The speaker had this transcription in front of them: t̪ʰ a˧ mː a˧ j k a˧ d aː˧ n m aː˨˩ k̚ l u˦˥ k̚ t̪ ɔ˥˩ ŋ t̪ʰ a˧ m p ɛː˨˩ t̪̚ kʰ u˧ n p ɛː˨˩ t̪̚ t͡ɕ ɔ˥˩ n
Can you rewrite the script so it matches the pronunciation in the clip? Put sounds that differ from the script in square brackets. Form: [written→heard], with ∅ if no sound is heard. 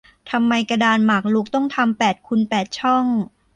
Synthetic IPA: t̪ʰ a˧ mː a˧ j k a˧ d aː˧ n m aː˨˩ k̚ l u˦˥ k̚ t̪ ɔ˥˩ ŋ t̪ʰ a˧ m p ɛː˨˩ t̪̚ kʰ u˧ n p ɛː˨˩ t̪̚ [t͡ɕ→t͡ɕʰ] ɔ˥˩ [n→ŋ]